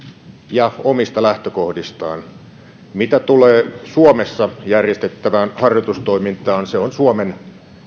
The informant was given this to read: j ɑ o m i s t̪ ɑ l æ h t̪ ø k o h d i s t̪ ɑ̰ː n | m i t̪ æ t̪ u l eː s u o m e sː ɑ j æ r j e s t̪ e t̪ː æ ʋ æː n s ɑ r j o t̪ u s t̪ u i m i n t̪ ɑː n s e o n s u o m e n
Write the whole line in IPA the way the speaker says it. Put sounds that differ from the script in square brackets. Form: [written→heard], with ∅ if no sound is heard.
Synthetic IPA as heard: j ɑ o m i s t̪ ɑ l æ h t̪ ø k o h d i s t̪ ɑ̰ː n | m i t̪ æ t̪ u l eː s u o m e sː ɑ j æ r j e s t̪ e t̪ː æ ʋ æː n [s→h] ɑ r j o t̪ u s t̪ [u→o] i m i n t̪ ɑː n s e o n s u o m e n